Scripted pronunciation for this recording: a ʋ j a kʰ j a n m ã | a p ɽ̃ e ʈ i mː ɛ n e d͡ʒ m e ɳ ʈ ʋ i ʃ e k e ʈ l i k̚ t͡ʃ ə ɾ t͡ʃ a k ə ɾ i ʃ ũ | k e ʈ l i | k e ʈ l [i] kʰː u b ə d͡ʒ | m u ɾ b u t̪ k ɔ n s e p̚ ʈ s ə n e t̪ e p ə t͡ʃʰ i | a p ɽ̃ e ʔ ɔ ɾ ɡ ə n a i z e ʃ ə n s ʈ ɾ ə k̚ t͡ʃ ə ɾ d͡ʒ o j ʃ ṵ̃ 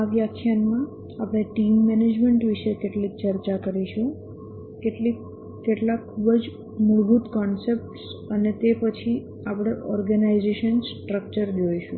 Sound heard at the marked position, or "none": a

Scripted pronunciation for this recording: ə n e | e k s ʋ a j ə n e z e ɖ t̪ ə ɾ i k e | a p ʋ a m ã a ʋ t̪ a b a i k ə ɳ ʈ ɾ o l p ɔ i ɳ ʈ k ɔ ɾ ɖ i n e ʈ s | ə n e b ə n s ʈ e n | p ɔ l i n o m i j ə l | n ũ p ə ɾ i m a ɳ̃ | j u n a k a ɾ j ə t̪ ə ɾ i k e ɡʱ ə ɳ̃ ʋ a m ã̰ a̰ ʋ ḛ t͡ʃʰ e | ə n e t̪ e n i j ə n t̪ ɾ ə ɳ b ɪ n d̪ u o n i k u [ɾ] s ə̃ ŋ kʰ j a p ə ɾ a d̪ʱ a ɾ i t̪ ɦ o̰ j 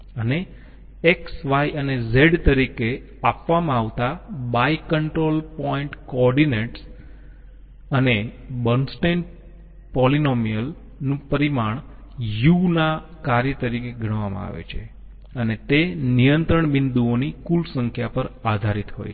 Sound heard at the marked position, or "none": l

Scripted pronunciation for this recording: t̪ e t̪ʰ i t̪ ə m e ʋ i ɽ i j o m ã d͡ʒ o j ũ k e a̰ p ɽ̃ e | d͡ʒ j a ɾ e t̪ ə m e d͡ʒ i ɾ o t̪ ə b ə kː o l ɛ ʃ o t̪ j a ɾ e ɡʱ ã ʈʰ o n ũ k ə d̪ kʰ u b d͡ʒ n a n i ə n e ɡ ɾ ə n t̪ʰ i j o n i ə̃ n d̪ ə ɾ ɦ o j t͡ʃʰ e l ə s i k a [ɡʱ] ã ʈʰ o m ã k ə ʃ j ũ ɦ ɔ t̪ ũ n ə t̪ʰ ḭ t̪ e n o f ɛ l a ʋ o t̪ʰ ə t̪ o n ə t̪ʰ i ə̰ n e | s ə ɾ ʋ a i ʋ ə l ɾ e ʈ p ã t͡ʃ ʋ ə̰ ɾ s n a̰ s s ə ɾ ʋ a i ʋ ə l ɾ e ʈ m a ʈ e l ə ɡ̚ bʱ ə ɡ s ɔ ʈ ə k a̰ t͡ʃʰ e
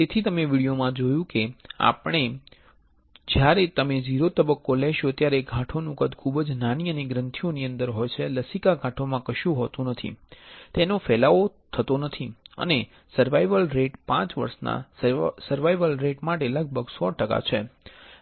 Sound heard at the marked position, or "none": ɡʱ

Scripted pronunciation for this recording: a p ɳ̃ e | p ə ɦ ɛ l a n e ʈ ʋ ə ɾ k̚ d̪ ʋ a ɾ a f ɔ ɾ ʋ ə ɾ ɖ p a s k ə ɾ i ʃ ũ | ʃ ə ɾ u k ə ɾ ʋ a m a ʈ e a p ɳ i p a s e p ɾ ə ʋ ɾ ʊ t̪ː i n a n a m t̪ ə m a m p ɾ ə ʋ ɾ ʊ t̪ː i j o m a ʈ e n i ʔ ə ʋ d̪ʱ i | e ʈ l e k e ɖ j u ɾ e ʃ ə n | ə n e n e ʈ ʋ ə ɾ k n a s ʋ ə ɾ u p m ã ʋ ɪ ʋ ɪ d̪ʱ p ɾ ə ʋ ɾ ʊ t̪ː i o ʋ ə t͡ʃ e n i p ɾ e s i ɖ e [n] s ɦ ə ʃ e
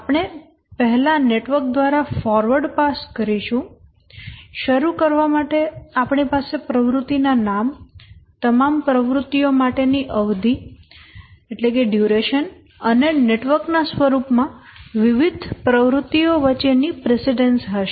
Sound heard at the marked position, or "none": n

